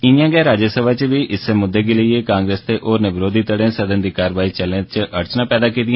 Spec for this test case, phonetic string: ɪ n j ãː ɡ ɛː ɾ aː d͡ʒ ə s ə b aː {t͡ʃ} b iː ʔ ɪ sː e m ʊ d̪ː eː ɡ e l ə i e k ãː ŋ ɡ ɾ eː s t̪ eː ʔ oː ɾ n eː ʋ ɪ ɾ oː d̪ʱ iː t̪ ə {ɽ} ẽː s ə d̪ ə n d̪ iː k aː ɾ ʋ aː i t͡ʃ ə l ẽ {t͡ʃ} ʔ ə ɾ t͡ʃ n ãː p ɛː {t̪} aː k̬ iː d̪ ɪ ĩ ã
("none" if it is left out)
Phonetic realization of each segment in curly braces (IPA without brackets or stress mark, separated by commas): t͡ʃ, ɽ, t͡ʃ, d̪